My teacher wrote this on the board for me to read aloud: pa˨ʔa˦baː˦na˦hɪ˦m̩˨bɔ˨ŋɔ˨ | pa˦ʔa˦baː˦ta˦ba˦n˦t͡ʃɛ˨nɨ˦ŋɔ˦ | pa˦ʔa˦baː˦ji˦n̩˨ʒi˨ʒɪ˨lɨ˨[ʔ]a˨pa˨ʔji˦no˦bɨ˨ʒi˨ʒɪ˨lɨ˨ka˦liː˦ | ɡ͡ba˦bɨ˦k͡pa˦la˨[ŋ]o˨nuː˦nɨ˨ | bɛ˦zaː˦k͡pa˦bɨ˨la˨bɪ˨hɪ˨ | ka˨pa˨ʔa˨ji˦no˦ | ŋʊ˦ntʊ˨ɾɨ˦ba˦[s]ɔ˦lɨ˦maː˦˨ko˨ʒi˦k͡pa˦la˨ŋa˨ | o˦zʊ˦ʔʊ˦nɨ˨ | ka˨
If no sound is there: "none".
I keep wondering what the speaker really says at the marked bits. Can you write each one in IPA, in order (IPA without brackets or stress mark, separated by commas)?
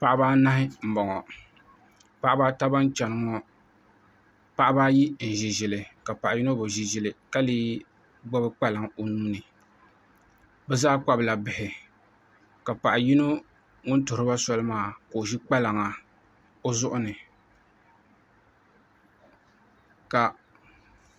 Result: k, ŋ, s